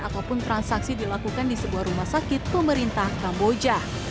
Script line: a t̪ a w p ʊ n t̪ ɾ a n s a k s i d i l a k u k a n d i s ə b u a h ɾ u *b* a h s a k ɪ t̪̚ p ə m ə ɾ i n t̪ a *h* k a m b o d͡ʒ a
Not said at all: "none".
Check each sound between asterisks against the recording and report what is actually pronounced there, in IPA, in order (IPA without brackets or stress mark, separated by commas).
m, h